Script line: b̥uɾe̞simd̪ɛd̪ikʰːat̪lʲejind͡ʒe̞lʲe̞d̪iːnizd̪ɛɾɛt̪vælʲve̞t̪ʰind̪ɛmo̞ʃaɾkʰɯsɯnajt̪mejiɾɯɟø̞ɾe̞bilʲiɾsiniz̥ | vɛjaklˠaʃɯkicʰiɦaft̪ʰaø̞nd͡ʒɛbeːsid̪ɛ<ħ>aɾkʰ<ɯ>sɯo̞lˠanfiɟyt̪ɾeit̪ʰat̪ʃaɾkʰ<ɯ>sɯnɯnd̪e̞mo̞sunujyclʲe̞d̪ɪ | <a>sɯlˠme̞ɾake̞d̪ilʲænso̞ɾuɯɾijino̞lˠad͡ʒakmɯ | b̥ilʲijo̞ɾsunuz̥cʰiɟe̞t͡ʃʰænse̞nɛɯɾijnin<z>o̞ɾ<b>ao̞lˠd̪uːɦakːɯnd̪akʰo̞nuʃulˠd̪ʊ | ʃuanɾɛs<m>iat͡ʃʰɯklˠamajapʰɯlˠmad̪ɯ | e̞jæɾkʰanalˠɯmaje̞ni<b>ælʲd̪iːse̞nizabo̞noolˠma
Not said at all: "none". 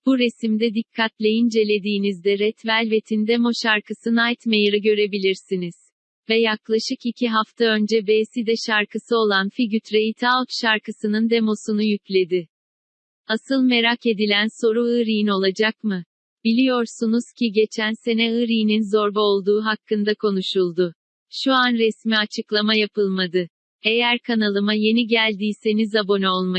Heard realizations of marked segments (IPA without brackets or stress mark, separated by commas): ʃ, ɯ, ɯ, a, z, b, m, ɟ